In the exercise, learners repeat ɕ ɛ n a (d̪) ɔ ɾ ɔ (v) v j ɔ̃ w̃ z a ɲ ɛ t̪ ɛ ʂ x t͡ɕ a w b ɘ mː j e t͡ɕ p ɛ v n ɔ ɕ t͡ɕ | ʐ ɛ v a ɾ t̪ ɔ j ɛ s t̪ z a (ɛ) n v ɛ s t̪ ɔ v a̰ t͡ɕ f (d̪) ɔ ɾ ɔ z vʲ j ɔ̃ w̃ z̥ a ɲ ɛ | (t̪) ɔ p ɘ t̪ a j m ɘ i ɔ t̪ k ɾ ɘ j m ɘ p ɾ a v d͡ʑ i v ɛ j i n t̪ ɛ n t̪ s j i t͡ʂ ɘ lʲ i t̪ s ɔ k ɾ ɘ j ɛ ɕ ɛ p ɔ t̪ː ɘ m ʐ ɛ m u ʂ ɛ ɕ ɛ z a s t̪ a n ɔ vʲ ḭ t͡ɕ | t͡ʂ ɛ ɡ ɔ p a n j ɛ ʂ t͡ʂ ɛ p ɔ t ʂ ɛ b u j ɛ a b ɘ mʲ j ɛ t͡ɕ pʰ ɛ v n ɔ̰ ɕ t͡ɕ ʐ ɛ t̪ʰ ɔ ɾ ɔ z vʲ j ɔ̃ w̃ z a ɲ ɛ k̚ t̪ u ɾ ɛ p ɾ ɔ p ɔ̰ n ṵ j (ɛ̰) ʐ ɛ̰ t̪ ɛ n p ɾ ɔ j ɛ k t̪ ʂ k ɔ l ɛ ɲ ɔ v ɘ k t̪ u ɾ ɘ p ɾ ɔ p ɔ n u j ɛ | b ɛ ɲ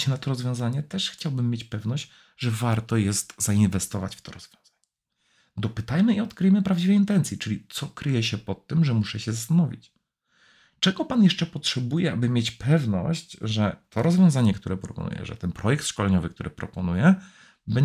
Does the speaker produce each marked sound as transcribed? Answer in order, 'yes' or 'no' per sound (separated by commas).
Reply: no, no, no, no, no, yes